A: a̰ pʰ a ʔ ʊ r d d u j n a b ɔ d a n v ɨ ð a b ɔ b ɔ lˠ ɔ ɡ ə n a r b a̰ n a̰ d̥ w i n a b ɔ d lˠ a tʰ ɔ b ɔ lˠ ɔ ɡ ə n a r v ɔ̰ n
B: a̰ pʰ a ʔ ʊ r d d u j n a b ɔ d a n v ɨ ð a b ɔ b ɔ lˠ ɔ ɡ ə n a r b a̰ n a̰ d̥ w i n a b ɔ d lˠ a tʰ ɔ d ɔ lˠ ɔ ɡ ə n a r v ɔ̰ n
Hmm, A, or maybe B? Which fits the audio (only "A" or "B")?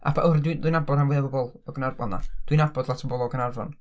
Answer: A